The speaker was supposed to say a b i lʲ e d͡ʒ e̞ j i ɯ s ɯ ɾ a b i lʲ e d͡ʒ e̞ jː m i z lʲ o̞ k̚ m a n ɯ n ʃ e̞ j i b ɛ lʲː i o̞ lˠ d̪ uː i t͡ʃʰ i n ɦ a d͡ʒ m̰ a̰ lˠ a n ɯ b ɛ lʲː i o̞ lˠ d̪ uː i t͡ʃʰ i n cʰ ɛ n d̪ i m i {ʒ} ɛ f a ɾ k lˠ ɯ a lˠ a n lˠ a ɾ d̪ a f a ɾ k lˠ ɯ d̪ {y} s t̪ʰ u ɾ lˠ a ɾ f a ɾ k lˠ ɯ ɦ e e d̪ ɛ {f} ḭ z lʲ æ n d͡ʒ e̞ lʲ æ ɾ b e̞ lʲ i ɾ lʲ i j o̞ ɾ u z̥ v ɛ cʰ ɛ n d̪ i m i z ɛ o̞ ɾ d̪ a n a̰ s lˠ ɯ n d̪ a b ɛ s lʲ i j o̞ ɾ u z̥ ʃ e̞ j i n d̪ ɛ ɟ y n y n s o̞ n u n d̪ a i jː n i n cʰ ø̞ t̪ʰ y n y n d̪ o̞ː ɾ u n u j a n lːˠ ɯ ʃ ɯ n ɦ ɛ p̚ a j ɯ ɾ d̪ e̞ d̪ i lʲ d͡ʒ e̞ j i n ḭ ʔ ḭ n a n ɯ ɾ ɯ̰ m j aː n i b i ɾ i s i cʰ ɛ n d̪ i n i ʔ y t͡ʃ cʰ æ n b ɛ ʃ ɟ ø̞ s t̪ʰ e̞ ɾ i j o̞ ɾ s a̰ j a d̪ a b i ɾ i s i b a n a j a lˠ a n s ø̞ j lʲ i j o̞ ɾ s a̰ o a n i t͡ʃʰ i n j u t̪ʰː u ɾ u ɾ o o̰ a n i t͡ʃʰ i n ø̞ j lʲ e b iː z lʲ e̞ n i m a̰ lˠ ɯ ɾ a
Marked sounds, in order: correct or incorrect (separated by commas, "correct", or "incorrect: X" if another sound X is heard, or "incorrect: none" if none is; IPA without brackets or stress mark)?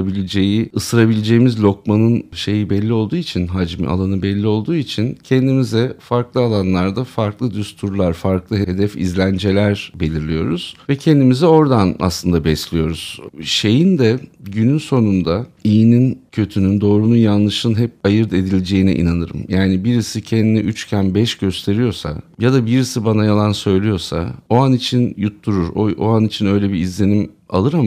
incorrect: z, correct, correct